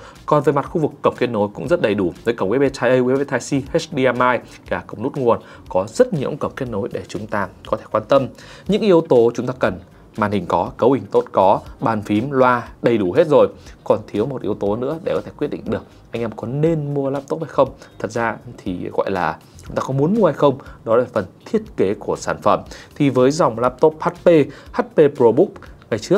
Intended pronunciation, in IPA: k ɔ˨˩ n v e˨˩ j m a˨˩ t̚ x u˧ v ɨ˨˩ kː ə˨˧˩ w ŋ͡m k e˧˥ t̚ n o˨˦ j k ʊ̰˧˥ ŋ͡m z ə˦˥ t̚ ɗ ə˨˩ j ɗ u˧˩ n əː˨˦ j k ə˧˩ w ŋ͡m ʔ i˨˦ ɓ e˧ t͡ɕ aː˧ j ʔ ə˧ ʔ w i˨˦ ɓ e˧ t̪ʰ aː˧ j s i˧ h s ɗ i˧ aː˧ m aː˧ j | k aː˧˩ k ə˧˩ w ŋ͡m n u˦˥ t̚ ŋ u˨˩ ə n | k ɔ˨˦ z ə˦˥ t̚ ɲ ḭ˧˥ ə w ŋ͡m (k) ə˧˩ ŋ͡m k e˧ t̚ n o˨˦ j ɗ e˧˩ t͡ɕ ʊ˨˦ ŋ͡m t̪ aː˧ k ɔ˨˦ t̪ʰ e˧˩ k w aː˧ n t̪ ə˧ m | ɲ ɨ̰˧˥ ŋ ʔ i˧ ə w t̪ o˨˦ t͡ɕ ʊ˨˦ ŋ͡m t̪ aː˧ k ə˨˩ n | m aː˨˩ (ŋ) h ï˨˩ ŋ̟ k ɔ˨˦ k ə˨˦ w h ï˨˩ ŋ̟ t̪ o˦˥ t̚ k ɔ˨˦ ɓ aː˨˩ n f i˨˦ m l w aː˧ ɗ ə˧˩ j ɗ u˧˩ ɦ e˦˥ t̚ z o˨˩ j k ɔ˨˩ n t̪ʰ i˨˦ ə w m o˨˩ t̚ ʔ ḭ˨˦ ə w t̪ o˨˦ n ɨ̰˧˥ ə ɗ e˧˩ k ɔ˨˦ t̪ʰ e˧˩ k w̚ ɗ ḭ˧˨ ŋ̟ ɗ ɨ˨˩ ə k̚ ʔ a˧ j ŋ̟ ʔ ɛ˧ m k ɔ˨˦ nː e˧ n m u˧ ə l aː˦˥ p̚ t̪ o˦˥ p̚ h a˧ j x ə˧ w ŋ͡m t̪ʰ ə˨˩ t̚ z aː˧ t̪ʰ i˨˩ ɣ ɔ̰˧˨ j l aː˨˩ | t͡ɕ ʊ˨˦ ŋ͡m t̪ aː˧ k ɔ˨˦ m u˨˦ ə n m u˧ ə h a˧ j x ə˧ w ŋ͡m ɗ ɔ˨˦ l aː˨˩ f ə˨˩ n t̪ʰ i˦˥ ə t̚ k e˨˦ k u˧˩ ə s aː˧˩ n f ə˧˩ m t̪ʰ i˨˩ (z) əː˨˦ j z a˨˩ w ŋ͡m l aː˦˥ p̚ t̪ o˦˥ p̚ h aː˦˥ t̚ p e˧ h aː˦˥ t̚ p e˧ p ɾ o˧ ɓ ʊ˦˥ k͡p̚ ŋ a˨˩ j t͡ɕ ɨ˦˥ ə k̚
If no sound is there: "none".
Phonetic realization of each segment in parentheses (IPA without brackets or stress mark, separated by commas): k, n, v